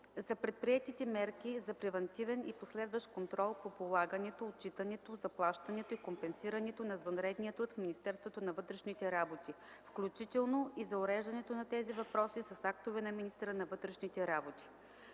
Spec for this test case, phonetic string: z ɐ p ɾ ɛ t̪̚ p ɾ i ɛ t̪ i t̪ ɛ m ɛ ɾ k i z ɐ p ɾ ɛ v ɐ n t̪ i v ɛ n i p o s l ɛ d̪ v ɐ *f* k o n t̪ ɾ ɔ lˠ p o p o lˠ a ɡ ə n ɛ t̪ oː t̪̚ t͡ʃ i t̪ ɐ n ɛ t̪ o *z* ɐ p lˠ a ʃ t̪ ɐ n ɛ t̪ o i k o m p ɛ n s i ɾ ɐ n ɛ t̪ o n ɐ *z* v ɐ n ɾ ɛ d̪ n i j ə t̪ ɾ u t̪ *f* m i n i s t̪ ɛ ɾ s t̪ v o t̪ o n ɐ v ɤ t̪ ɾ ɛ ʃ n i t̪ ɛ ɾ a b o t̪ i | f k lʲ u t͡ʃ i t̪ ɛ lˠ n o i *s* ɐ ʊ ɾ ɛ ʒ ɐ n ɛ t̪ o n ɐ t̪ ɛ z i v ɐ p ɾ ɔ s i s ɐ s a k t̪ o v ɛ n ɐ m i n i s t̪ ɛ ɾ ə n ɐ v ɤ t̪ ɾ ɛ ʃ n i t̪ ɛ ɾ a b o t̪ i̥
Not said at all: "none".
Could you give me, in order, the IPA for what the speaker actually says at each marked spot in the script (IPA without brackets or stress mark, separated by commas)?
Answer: ʃ, z, z, f, z